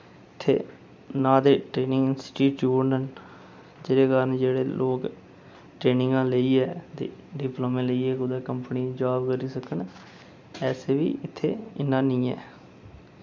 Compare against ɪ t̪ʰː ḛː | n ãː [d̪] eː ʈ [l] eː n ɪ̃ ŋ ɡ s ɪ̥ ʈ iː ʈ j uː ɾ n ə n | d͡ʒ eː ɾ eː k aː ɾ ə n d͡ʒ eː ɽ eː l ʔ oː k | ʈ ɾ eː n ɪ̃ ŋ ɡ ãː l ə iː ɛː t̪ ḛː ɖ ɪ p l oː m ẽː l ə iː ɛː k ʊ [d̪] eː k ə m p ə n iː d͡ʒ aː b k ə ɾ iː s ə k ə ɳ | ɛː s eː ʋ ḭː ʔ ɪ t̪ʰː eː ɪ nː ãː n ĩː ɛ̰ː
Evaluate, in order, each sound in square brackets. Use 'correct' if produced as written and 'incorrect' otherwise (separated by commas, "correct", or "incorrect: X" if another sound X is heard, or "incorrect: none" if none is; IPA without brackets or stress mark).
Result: correct, incorrect: ɾ, correct